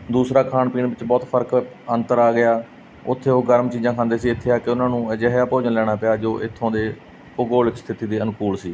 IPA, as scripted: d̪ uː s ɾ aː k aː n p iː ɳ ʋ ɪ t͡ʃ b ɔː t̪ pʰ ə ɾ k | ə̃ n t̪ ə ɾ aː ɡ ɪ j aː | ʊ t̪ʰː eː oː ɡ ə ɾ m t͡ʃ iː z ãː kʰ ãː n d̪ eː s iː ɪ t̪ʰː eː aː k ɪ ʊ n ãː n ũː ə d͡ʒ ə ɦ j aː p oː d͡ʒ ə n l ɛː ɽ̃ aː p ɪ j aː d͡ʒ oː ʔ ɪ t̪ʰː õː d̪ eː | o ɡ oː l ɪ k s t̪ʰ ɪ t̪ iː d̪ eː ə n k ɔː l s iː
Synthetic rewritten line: d̪ uː s ɾ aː kʰ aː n p iː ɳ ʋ ɪ t͡ʃ b ɔː t̪ pʰ ə ɾ k | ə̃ n t̪ ə ɾ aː ɡ ɪ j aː | ʊ t̪ʰː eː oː ɡ ə ɾ m t͡ʃ iː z ãː kʰ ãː n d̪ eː s iː ɪ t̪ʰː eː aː k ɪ ʊ n ãː n ũː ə d͡ʒ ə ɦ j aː p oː d͡ʒ ə n l ɛː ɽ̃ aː p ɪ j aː d͡ʒ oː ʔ ɪ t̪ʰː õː d̪ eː | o ɡ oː l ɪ k s t̪ʰ ɪ t̪ iː d̪ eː ə n k uː l s iː